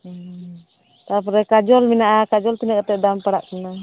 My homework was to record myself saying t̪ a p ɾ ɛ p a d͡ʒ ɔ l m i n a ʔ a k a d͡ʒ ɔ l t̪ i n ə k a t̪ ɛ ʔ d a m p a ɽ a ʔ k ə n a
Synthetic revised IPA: t̪ a p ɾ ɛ k a d͡ʒ ɔ l m i n a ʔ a k a d͡ʒ ɔ l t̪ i n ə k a t̪ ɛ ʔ d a m p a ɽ a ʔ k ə n a